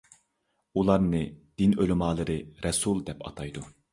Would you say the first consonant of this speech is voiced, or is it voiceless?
voiced